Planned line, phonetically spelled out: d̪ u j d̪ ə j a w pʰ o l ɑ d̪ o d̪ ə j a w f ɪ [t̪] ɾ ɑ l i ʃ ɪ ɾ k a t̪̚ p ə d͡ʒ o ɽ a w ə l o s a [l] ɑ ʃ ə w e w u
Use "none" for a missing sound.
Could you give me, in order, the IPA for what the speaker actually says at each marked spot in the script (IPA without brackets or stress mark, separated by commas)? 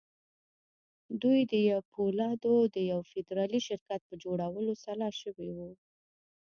d̪, l